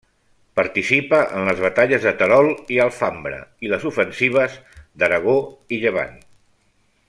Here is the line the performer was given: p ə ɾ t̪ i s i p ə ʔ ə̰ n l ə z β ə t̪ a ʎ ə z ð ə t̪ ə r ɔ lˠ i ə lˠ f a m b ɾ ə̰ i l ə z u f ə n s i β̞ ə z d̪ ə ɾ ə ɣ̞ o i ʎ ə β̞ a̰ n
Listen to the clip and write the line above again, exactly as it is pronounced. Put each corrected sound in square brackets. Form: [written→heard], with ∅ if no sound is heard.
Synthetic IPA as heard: p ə ɾ t̪ i s i p ə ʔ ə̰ n l ə z β ə t̪ a ʎ ə z ð ə t̪ ə [r→ɾ] ɔ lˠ i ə lˠ f a m b ɾ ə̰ i l ə z u f ə n s i β̞ ə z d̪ ə ɾ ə ɣ̞ o i ʎ ə β̞ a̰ n